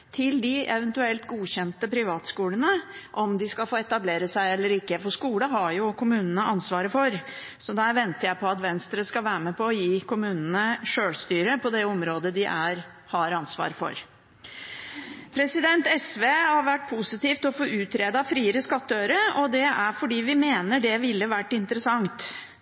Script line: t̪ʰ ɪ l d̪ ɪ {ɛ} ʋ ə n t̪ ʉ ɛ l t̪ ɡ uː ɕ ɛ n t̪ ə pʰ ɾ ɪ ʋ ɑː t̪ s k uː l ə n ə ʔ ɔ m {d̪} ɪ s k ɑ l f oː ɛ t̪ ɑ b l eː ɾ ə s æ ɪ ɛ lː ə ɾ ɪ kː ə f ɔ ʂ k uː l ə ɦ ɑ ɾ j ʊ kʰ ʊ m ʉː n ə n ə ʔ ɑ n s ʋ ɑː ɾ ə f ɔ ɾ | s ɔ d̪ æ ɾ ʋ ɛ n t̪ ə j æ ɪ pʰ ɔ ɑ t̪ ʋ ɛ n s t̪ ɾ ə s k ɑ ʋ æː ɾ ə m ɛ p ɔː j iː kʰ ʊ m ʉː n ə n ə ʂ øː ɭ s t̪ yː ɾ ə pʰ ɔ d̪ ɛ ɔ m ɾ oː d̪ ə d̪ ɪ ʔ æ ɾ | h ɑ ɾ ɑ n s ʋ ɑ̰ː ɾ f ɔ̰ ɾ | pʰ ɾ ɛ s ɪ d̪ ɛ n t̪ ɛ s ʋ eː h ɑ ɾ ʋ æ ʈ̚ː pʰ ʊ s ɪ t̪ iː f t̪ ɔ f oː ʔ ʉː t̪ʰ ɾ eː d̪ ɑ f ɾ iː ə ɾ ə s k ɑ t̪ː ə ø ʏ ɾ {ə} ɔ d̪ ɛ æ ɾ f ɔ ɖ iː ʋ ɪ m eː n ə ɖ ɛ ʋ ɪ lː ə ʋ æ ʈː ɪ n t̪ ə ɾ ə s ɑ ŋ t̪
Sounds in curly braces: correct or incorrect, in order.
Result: correct, correct, correct

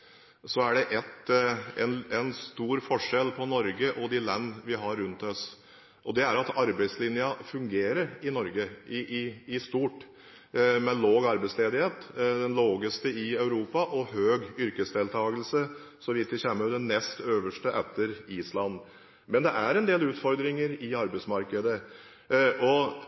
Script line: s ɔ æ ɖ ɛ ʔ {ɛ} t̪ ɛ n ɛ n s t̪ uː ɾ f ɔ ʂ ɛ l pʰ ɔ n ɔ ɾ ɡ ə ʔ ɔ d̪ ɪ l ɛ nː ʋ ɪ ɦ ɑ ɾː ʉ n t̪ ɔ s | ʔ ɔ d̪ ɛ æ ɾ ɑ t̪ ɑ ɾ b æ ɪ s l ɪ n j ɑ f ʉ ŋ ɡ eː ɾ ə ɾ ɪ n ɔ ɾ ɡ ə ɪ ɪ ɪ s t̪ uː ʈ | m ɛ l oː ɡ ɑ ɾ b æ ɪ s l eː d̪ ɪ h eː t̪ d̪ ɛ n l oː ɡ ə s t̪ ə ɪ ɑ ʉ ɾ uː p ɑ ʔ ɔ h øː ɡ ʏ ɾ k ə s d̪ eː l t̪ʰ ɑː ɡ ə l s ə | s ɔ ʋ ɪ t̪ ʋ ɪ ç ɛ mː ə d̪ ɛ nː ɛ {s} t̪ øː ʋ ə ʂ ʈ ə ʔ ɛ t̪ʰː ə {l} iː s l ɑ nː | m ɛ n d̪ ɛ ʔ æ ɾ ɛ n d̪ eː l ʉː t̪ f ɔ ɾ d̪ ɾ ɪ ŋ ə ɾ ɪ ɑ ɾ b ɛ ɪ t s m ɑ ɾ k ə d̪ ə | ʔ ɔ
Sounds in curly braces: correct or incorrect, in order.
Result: correct, correct, incorrect

